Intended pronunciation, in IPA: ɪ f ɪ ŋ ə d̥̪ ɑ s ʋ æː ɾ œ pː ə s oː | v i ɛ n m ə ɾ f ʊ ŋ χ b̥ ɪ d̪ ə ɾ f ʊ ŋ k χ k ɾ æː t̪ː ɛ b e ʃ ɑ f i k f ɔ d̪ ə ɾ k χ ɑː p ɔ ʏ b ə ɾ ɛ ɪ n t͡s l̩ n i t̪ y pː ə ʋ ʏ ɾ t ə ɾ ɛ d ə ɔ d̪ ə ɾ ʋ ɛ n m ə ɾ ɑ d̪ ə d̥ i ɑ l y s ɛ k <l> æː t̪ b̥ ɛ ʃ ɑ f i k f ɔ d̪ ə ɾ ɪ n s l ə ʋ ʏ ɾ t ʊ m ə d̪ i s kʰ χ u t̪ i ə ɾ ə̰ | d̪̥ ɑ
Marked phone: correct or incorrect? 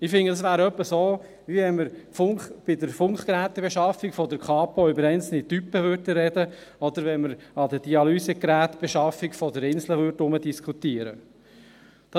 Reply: incorrect